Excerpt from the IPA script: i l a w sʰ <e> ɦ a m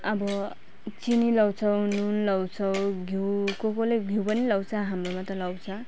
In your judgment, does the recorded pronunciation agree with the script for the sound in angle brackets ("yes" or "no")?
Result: no